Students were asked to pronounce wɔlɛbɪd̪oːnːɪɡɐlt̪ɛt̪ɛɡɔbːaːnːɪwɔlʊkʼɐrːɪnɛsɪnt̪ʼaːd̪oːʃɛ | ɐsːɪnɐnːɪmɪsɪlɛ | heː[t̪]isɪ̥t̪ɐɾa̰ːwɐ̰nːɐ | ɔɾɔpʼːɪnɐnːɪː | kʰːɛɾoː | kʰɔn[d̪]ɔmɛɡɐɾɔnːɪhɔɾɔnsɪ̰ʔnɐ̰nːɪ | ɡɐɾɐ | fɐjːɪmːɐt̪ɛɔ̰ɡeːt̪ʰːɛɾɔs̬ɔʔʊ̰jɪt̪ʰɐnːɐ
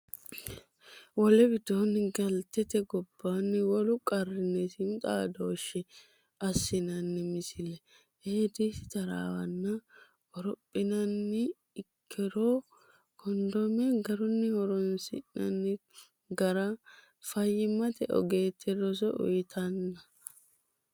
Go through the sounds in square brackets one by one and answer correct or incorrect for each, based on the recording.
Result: incorrect: d̪, correct

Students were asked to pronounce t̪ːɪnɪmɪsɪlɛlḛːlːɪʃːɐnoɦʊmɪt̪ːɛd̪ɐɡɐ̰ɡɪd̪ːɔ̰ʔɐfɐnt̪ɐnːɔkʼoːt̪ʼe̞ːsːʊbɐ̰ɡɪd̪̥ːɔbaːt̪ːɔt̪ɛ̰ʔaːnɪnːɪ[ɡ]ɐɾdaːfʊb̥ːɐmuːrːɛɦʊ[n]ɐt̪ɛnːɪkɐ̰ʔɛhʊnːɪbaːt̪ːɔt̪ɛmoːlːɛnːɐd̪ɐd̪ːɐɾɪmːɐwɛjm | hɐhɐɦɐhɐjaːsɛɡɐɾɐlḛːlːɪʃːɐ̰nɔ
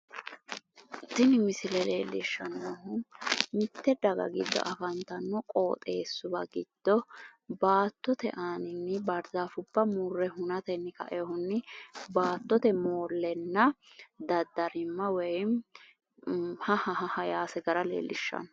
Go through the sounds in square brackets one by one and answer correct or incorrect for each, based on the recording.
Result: incorrect: b, correct

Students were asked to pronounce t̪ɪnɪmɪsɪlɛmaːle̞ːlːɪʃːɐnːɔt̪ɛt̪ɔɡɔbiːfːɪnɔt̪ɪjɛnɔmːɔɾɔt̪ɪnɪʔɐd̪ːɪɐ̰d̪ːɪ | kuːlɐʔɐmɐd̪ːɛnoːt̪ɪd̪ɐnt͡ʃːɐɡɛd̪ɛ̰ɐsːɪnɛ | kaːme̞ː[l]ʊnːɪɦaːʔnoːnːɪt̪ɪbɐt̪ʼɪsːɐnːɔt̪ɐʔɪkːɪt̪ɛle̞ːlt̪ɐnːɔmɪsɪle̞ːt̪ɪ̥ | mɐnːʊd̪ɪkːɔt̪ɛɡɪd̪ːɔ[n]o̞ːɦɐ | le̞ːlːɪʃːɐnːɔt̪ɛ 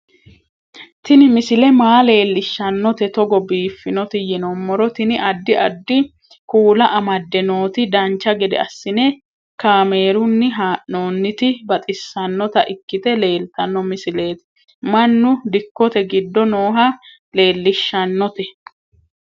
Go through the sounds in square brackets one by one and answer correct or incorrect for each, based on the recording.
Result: incorrect: ɾ, correct

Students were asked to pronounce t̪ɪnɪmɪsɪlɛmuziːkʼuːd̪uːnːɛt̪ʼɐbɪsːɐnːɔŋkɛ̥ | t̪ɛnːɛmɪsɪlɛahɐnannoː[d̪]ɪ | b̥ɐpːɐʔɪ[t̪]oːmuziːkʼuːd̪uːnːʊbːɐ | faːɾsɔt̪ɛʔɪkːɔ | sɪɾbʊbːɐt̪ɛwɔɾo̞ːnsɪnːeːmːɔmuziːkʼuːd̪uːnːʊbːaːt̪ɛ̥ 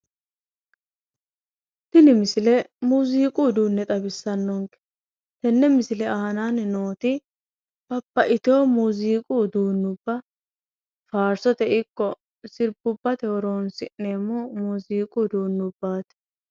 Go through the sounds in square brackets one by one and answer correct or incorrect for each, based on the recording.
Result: incorrect: t̪, correct

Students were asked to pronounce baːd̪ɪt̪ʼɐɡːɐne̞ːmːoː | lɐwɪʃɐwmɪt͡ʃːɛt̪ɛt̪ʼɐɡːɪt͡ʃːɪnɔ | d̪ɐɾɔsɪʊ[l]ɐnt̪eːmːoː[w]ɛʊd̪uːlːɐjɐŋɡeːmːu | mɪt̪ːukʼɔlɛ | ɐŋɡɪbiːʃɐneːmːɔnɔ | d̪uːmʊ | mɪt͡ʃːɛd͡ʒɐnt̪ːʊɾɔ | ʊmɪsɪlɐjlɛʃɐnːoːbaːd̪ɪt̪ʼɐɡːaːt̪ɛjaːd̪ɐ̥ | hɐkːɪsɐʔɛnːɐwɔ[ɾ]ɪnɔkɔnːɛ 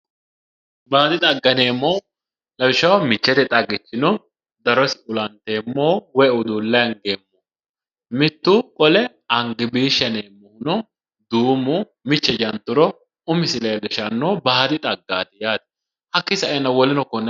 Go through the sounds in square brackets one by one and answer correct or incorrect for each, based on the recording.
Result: correct, correct, incorrect: l

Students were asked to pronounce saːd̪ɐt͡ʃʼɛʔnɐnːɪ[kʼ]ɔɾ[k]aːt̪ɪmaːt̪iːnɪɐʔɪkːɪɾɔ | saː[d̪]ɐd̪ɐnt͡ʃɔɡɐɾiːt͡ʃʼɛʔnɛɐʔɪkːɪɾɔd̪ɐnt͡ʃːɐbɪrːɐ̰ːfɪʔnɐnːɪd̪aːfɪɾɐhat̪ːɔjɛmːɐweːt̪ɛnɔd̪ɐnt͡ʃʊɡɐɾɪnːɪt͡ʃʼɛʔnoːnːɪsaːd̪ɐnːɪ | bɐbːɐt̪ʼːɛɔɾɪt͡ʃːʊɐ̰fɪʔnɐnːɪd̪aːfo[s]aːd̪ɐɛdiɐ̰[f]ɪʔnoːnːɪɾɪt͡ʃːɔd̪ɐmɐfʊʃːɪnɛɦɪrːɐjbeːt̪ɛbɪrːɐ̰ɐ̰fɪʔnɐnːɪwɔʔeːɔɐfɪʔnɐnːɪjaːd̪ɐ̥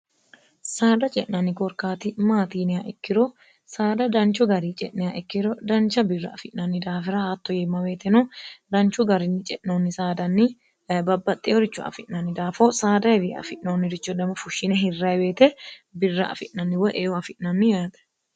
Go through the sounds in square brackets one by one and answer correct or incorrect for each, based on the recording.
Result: incorrect: k, correct, correct, correct, correct

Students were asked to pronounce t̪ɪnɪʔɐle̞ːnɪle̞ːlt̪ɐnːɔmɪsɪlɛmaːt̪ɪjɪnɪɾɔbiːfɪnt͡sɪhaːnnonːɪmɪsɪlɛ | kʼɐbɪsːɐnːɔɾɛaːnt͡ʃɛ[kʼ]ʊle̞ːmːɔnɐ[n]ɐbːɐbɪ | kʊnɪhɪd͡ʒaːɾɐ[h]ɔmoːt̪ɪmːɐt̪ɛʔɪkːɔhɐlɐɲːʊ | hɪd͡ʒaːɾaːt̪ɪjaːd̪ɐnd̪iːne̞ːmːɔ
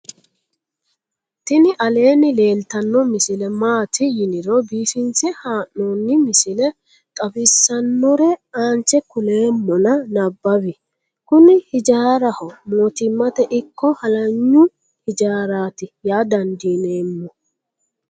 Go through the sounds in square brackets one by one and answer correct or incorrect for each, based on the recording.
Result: incorrect: k, correct, correct

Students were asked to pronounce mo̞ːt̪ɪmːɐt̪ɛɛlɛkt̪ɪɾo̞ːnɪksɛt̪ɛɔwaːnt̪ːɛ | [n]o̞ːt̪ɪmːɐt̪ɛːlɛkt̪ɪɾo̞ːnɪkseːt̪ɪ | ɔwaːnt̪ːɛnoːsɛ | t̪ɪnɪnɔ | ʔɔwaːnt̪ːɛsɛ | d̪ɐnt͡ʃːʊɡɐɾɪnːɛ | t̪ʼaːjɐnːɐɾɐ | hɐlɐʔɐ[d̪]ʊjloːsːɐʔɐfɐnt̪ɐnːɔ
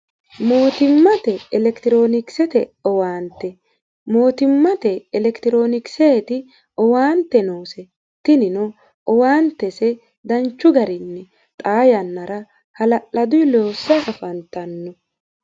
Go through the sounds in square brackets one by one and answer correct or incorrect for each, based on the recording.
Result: incorrect: m, correct

